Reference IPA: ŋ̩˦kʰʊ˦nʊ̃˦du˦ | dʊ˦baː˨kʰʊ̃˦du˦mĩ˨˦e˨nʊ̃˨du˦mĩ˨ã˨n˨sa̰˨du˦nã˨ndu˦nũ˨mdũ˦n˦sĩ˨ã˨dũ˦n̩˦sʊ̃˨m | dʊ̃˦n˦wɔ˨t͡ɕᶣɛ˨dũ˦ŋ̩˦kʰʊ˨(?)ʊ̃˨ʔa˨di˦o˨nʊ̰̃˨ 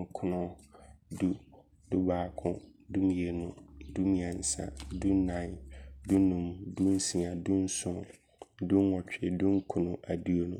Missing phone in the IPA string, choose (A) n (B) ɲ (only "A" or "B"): A